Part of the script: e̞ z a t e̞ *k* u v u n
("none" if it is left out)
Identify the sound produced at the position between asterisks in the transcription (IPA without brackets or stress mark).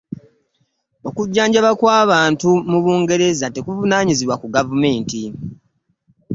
k